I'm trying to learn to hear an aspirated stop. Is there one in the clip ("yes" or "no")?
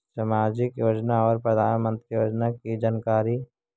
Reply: no